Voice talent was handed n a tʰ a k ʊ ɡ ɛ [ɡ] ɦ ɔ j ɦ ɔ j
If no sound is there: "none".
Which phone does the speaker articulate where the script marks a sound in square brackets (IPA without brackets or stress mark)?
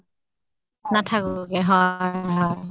none